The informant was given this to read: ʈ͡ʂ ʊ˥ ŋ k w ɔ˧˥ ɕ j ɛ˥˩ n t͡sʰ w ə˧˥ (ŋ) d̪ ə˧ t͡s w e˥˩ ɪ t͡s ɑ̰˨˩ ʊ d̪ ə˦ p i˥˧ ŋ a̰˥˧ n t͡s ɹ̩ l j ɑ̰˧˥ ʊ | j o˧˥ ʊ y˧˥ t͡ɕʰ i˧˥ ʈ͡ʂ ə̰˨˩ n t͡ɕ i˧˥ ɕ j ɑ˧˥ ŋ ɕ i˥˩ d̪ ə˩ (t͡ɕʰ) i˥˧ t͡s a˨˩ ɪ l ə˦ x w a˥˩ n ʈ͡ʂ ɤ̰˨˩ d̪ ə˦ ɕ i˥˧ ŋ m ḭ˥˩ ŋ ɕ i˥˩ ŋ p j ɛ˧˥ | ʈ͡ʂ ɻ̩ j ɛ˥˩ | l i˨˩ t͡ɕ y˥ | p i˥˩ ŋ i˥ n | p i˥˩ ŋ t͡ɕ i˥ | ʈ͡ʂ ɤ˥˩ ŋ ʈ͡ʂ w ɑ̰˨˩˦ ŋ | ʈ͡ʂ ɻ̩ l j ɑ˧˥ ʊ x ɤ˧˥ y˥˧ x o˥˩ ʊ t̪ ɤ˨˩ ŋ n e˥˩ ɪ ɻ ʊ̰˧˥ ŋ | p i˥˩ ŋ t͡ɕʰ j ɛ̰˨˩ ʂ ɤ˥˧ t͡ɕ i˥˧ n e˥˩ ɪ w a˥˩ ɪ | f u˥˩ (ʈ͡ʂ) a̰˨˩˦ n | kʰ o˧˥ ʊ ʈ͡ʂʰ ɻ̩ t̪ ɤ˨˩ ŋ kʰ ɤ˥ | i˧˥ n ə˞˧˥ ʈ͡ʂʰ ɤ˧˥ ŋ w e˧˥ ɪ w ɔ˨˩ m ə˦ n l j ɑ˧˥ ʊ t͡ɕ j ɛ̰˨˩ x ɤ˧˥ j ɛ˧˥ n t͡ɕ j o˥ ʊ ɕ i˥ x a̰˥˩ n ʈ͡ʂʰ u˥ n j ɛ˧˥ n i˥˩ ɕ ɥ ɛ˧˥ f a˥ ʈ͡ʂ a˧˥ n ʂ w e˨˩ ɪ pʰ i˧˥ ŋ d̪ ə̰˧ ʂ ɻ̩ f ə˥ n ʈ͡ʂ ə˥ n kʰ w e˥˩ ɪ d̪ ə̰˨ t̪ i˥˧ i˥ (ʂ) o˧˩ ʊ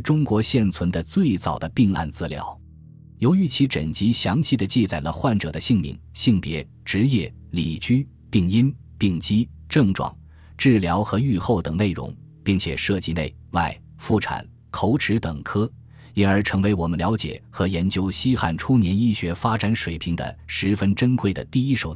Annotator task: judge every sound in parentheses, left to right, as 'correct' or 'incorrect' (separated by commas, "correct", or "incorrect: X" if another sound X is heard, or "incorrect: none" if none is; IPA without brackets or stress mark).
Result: incorrect: n, incorrect: t͡ɕ, incorrect: ʈ͡ʂʰ, correct